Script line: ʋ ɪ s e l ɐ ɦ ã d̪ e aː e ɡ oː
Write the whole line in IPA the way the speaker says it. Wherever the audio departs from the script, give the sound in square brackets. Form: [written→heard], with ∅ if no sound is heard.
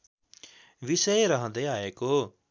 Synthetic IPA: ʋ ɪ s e [l→ɾ] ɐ ɦ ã d̪ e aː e [ɡ→k] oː